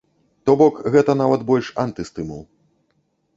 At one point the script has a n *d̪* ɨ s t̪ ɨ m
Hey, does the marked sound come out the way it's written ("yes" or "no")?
no